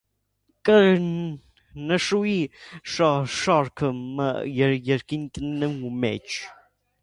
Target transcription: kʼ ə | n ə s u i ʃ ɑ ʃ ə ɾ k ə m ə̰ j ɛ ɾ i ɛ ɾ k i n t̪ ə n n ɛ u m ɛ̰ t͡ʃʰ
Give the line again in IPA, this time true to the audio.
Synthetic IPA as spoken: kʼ ə | n ə ʃ u i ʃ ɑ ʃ ɑ ɾ kʰ ə m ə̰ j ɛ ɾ j ɛ ɾ k i n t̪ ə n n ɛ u m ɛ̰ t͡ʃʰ